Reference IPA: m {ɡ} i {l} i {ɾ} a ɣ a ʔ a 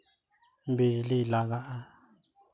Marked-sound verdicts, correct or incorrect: incorrect, correct, incorrect

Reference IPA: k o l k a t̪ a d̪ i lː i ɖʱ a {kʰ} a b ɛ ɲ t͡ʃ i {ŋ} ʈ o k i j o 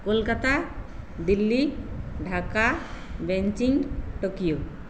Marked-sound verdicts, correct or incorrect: incorrect, correct

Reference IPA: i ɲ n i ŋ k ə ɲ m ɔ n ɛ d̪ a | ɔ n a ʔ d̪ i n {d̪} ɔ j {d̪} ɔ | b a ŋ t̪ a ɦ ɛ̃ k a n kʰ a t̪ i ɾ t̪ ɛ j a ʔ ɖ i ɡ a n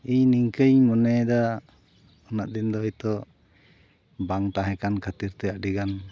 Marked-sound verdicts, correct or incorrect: correct, incorrect

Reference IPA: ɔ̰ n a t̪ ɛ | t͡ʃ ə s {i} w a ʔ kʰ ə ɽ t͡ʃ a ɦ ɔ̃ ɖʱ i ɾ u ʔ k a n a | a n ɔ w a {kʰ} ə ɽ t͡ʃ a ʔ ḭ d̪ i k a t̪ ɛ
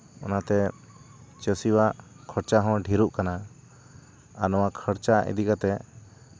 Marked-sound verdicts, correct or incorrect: correct, correct

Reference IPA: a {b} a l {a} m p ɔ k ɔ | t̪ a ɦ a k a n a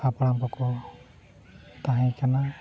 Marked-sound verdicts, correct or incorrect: incorrect, correct

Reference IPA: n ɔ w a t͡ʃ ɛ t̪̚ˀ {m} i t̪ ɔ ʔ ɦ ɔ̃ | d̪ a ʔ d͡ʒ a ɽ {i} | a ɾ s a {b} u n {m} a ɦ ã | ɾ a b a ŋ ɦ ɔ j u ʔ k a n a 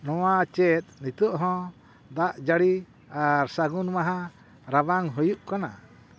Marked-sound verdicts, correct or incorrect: incorrect, correct, incorrect, correct

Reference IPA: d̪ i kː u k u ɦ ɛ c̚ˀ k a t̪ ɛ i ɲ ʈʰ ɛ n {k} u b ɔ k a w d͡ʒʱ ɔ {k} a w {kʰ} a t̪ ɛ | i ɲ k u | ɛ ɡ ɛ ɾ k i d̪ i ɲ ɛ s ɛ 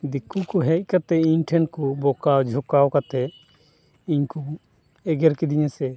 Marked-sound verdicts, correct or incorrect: correct, correct, incorrect

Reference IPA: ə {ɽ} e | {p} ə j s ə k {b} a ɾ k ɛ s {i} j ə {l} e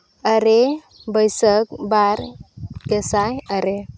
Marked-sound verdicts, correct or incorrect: incorrect, incorrect, correct, incorrect, incorrect

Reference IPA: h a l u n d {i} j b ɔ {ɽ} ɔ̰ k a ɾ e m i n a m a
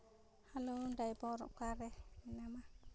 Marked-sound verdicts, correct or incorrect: incorrect, incorrect

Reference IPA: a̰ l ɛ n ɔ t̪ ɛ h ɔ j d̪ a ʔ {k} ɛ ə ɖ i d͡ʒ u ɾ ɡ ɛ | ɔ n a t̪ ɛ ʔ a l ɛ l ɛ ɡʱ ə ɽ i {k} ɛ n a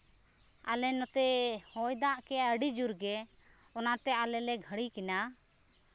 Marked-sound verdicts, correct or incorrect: correct, correct

